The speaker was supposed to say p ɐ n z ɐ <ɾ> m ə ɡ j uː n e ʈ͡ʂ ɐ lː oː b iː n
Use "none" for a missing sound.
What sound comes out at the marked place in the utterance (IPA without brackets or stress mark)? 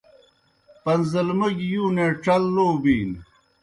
l